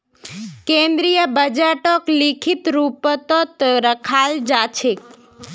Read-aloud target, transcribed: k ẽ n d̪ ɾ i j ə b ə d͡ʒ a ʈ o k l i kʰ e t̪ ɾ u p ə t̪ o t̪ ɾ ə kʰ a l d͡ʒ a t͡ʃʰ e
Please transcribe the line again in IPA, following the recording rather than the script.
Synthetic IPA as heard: k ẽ n d̪ ɾ i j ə b ə d͡ʒ a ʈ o k l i kʰ i t̪ ɾ u p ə t̪ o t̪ ɾ ə kʰ a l d͡ʒ a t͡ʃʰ e